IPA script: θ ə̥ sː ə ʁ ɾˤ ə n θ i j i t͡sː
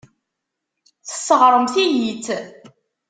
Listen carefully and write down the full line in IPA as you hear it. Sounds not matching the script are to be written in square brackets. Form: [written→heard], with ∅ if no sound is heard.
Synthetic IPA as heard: θ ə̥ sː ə ʁ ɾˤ ə [n→m] θ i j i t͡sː